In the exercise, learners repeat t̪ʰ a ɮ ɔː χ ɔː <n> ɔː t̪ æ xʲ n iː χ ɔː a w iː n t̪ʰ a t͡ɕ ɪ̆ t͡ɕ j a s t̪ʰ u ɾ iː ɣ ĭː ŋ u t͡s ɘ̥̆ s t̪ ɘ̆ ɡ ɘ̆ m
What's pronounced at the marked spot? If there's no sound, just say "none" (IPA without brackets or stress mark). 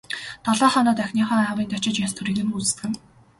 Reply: n